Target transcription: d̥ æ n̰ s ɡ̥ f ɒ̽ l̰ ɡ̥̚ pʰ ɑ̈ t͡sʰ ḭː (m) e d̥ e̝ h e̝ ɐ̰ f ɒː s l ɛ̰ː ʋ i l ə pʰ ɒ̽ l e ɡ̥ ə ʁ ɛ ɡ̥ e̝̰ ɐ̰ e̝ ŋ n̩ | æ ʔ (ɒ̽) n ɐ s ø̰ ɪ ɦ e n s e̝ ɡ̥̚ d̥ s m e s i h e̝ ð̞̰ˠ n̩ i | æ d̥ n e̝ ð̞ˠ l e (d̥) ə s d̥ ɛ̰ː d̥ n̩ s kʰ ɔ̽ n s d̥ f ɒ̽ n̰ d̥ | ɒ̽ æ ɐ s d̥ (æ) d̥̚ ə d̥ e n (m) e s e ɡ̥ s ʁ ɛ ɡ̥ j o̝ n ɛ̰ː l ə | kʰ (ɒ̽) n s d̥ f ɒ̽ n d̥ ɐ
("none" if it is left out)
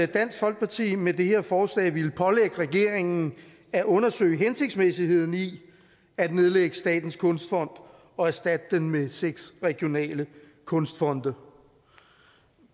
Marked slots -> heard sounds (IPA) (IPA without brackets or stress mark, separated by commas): m, ɔ̽, ɡ̥, æ, m, ɔ̽